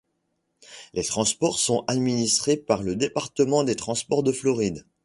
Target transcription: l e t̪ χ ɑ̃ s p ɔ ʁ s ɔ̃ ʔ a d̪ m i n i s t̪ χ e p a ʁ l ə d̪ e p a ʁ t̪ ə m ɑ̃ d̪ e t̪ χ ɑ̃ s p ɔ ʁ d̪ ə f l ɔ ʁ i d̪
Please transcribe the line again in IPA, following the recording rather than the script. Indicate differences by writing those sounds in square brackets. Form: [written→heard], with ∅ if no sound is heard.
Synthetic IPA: l e t̪ χ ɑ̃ s p ɔ ʁ s ɔ̃ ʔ a d̪ m i n i s t̪ χ e p a ʁ l ə d̪ e p a ʁ t̪ ə m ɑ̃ d̪ e t̪ χ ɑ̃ s p ɔ ʁ d̪ ə f l ɔ ʁ i d̪